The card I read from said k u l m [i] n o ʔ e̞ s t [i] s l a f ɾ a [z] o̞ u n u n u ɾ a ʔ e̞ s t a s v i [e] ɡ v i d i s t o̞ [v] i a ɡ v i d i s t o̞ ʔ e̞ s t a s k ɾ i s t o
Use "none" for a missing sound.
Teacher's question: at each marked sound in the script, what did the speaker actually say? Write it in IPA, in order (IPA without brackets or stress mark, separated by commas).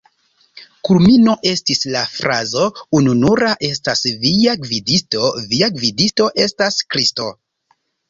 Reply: i, i, z, a, v